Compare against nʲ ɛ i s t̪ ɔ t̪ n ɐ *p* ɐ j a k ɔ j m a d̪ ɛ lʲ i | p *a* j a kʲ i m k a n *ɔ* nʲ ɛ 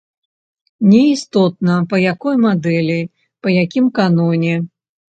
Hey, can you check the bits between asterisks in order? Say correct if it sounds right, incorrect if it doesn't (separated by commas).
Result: correct, incorrect, correct